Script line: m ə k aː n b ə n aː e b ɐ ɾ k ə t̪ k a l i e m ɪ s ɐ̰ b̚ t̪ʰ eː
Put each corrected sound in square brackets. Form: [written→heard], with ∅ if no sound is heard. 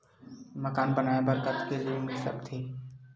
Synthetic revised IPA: m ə k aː n b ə n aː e b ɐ ɾ k ə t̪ k [a→e] l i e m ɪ s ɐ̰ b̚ t̪ʰ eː